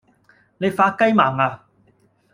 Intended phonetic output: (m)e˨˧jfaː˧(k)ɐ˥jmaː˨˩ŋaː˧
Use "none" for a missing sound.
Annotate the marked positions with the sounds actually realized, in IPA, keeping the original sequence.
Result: n, k

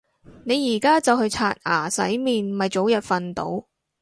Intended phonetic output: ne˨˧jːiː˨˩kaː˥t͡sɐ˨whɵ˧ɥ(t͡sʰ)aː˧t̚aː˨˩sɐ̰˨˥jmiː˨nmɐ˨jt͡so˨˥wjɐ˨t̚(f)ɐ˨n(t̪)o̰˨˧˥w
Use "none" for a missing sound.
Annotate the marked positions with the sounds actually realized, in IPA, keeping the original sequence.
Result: t͡sʰ, f, t̪

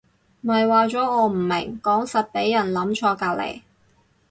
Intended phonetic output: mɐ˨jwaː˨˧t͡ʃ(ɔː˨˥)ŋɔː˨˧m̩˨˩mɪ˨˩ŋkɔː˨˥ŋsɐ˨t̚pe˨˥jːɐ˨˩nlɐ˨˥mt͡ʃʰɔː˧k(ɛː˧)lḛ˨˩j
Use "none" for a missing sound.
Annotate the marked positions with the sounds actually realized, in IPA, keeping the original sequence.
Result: ɔː˨˥, aː˧

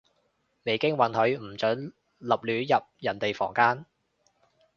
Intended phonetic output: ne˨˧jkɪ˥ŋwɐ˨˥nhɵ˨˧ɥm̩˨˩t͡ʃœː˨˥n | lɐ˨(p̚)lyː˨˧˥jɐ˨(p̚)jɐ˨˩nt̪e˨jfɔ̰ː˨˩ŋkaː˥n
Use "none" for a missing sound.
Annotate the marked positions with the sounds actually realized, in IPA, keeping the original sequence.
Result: p̚, p̚

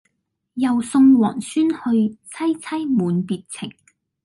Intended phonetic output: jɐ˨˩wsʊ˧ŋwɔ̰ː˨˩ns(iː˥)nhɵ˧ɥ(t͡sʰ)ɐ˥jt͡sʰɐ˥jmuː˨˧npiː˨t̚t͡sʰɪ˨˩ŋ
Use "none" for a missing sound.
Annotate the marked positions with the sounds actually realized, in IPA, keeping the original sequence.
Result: yː˥, t͡sʰ

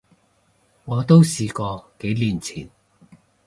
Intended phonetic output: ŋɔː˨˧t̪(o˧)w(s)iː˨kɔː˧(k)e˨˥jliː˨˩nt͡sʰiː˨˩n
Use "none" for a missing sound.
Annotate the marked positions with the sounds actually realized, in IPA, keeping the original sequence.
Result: o˥, s, k

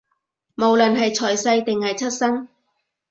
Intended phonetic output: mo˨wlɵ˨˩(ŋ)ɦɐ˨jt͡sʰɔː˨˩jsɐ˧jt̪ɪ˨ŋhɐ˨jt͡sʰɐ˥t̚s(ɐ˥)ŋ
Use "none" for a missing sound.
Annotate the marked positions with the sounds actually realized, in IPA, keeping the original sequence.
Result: n, ɐ˥

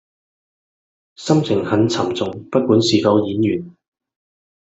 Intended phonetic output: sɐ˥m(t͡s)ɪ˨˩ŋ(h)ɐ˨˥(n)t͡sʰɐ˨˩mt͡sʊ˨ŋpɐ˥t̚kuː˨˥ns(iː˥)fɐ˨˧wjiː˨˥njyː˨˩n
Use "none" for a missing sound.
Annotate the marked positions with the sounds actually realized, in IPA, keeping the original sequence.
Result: t͡sʰ, h, n, iː˨

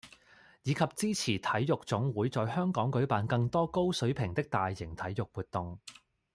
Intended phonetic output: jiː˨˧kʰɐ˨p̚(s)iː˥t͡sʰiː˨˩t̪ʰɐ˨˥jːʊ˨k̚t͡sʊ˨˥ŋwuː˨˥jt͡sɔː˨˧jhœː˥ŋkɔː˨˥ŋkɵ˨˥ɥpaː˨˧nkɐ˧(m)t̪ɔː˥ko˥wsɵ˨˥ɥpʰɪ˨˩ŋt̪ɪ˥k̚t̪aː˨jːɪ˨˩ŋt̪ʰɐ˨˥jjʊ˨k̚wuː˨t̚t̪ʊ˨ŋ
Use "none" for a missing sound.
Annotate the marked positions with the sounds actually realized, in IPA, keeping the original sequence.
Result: t͡s, ŋ

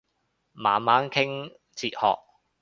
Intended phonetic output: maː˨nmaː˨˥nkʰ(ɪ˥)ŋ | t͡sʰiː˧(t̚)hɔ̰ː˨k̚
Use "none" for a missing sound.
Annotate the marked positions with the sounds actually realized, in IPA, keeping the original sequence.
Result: ɪ˥, t̚

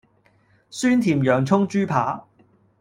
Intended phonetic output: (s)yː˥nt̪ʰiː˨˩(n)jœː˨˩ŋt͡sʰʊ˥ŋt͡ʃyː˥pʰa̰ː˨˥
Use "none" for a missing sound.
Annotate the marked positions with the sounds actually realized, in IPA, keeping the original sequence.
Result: s, m

